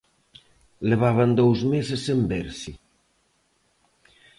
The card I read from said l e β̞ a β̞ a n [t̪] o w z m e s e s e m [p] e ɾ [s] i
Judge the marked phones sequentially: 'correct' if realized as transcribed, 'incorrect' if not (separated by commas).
incorrect, incorrect, correct